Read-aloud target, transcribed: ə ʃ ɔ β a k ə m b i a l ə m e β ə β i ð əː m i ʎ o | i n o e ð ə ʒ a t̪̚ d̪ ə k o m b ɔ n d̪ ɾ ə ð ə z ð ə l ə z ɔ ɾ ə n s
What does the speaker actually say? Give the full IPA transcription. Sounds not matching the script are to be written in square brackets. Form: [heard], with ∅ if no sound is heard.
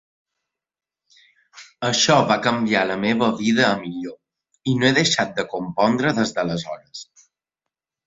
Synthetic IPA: ə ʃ ɔ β a k ə m b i a l ə m e β ə β i ð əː m i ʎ o | i n o e ð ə [ʃ] a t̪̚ d̪ ə k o m [p] ɔ n d̪ ɾ ə ð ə z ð ə l ə z ɔ ɾ ə [∅] s